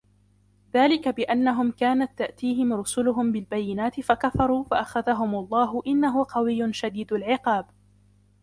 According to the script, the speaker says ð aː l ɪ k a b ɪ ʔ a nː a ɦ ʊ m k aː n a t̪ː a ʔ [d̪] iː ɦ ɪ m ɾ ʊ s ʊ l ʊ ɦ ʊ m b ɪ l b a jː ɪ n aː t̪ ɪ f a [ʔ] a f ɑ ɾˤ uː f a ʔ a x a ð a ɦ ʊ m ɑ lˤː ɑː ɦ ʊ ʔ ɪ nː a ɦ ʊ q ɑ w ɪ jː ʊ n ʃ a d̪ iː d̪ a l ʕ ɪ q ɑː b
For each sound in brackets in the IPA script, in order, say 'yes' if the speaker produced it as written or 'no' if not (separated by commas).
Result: no, no